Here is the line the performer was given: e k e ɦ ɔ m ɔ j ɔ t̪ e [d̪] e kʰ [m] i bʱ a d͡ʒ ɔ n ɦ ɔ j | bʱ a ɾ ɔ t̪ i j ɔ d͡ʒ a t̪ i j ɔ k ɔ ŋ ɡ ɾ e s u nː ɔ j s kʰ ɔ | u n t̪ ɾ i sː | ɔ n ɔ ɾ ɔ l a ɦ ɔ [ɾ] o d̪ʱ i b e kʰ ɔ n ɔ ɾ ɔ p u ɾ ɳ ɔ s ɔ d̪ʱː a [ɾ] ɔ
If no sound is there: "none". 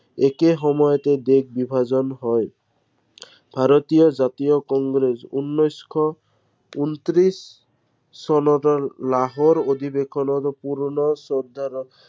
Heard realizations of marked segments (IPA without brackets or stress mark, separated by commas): d̪, b, ɾ, ɾ